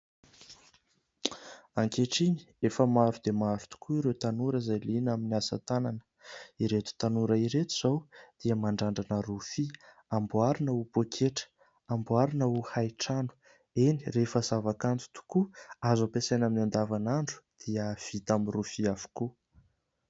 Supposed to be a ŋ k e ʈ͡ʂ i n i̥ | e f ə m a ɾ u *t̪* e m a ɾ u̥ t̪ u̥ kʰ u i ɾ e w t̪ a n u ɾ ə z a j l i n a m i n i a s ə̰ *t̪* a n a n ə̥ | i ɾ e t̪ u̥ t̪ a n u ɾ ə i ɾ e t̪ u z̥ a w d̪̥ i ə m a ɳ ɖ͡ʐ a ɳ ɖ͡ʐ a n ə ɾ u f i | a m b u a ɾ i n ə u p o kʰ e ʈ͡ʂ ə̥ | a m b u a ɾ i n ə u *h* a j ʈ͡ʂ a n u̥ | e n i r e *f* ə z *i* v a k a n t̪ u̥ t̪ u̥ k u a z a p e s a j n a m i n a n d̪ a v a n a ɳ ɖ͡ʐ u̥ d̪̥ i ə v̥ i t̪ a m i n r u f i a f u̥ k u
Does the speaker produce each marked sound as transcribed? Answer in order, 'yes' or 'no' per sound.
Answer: no, yes, yes, yes, no

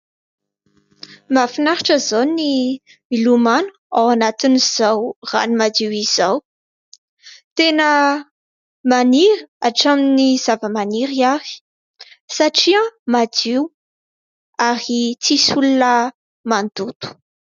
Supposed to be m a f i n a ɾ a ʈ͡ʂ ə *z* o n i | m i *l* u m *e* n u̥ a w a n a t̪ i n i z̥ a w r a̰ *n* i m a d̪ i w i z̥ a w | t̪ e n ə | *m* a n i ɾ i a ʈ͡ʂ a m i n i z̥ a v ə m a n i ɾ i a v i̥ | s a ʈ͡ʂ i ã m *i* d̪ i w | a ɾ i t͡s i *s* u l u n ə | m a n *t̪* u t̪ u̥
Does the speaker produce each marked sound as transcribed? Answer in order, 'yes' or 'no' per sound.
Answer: yes, yes, no, yes, yes, no, yes, no

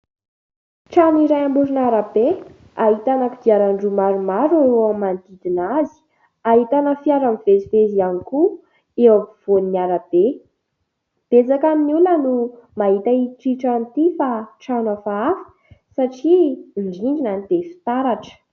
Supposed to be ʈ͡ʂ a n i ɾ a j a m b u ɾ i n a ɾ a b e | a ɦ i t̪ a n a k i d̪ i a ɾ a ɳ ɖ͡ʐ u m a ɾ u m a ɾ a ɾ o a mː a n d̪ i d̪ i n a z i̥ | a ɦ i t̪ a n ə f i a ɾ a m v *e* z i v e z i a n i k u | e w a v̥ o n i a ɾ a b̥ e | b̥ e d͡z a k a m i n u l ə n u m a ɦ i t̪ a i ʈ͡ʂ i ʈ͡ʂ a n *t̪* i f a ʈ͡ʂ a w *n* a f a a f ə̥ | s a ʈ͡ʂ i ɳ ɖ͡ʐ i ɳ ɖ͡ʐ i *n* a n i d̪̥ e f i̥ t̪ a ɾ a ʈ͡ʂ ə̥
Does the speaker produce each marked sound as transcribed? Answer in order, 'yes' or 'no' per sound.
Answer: yes, yes, yes, yes

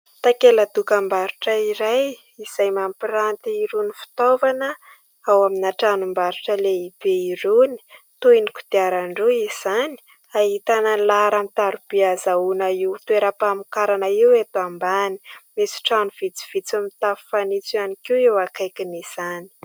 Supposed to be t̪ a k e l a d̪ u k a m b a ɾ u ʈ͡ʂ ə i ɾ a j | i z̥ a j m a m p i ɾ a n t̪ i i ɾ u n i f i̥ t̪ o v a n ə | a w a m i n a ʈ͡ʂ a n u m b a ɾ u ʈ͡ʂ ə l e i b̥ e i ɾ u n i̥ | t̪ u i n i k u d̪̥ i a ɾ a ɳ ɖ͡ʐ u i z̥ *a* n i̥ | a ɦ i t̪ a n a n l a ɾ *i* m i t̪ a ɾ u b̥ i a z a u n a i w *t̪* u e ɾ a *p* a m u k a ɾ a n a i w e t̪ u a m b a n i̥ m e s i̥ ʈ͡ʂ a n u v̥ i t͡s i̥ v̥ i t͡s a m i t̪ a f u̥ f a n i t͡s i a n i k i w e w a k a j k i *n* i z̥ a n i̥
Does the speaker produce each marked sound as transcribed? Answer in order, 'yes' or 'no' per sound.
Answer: yes, no, yes, yes, yes

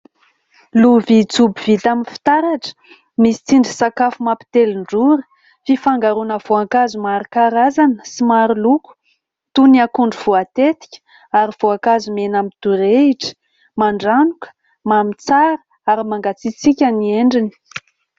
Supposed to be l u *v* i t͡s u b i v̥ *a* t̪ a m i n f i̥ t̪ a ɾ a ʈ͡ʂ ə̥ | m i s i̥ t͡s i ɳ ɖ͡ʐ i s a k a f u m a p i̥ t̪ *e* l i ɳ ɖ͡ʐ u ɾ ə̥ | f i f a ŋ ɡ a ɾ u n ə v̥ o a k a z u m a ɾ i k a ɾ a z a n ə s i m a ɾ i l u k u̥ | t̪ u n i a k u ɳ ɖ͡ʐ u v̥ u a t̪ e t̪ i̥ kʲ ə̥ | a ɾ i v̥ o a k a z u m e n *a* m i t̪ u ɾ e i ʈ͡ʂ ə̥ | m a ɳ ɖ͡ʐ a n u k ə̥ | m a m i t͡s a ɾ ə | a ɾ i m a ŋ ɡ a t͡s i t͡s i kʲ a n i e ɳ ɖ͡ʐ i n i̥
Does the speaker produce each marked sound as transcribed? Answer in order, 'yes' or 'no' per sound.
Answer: yes, no, yes, yes

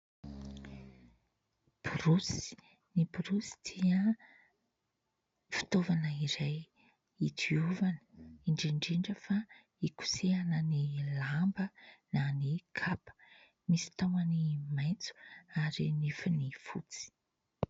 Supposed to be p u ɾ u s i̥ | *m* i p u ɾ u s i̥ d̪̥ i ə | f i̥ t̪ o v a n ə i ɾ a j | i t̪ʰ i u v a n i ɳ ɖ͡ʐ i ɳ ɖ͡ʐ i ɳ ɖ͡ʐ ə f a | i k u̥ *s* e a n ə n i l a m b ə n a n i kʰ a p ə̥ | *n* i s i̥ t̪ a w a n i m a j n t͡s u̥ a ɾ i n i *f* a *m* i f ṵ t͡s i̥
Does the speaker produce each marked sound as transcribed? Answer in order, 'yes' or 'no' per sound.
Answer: no, yes, no, yes, no

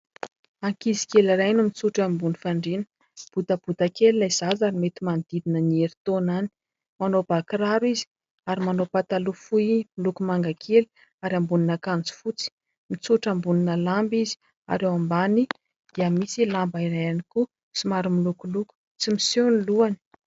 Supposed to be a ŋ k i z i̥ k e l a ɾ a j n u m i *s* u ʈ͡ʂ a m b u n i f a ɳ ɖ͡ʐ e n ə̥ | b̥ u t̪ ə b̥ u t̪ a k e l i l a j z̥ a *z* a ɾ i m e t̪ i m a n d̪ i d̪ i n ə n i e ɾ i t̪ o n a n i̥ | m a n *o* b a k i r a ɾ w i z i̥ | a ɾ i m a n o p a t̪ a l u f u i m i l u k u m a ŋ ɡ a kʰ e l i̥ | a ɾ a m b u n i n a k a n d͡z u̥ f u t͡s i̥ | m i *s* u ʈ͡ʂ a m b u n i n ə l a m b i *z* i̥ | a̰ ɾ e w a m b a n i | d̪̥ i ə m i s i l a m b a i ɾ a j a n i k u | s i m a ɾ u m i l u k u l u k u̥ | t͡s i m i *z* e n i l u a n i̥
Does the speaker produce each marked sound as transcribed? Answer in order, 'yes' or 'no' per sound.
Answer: no, yes, yes, no, yes, no

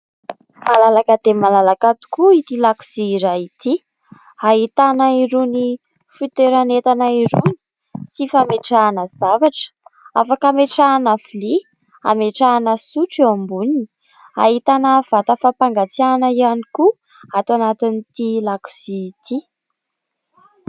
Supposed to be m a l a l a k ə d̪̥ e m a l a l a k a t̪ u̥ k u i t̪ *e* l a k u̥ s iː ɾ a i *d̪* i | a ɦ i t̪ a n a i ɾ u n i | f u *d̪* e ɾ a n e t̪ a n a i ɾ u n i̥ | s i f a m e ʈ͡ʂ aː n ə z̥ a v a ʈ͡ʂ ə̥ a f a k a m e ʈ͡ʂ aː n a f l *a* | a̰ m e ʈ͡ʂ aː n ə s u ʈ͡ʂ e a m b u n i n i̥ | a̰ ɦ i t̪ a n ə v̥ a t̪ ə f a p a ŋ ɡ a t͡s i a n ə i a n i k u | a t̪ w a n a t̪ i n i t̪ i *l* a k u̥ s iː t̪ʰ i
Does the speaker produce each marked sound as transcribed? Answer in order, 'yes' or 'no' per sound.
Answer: no, no, no, no, yes

